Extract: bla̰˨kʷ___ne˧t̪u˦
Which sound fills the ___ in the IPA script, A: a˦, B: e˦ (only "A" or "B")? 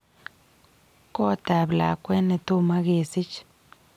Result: B